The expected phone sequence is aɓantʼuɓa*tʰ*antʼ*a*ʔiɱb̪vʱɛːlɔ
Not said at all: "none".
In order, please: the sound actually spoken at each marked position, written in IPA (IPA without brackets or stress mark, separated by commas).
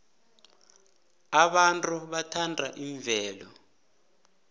tʰ, a